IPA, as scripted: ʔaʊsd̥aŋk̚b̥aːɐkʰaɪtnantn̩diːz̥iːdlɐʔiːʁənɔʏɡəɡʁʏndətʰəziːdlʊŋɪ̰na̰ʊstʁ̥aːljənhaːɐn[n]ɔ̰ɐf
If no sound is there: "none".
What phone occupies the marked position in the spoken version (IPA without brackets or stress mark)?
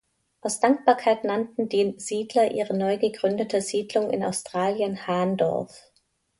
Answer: d